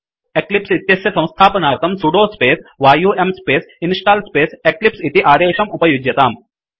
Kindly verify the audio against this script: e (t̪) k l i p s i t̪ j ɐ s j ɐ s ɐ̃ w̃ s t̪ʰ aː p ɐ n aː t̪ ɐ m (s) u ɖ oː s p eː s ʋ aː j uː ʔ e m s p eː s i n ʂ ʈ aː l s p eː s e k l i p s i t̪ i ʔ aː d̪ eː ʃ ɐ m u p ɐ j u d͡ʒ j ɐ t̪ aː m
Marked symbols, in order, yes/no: no, yes

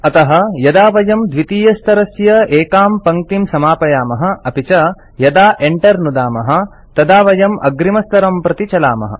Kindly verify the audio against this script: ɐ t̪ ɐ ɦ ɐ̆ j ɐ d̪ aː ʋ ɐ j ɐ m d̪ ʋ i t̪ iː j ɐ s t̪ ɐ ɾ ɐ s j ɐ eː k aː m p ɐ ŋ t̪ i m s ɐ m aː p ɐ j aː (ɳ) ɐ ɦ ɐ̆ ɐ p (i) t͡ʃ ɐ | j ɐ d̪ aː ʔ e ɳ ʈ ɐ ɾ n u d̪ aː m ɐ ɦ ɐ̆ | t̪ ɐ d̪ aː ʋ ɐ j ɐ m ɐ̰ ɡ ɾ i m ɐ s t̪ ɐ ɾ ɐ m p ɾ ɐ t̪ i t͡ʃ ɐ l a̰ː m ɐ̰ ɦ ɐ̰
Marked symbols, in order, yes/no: no, yes

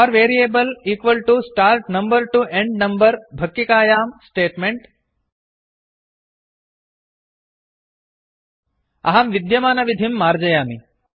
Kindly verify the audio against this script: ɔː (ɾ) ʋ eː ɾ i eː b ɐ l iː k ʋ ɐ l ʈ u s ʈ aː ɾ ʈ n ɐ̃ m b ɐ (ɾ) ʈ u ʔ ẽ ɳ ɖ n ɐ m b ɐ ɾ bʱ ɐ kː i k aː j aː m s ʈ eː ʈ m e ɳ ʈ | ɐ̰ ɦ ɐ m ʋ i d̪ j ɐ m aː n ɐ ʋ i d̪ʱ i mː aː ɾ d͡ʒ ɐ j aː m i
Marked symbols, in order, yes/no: yes, yes

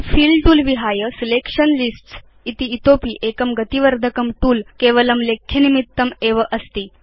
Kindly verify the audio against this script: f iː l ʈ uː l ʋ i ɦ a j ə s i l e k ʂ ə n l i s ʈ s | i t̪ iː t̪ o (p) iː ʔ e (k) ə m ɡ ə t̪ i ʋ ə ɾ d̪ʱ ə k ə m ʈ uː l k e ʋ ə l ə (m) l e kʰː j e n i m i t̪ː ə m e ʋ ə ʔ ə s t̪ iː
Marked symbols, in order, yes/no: yes, yes, yes

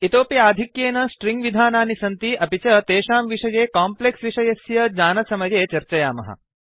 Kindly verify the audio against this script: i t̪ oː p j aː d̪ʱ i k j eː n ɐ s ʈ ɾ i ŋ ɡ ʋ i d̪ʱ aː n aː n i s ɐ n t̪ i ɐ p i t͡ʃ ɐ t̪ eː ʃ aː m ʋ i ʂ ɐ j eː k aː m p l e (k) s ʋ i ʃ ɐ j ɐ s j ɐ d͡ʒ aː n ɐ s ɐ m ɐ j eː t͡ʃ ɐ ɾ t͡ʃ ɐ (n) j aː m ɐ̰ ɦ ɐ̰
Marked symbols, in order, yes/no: yes, no

